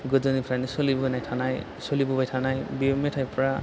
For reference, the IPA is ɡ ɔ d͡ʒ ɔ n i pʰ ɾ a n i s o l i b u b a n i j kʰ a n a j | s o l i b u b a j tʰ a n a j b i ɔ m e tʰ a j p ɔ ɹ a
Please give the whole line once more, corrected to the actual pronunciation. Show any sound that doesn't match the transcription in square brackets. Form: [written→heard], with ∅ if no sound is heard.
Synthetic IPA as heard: ɡ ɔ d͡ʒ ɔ n i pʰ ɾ a n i s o l i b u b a n [i→a] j [kʰ→tʰ] a n a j | s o l i b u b a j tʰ a n a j b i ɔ m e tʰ a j p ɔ ɹ a